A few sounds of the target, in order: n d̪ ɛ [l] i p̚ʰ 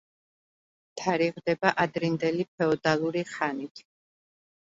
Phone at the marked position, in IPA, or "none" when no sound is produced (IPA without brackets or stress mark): l